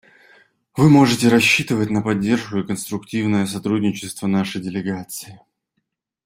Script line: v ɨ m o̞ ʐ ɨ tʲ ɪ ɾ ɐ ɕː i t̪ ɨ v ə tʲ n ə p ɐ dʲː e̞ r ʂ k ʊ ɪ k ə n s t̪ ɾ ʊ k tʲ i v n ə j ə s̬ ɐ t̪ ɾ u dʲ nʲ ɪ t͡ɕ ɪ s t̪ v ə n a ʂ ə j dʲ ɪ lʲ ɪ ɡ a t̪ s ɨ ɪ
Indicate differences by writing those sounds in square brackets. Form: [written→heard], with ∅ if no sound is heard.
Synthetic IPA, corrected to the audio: v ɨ m o̞ ʐ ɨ tʲ ɪ ɾ ɐ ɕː i t̪ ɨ v ə tʲ n ə p ɐ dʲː e̞ r ʂ k ʊ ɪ k ə n s t̪ ɾ ʊ k tʲ i v n ə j ə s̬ ɐ t̪ ɾ u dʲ nʲ ɪ t͡ɕ ɪ s t̪ v ə n a ʂ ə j dʲ ɪ lʲ ɪ ɡ a t̪ s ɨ ɪ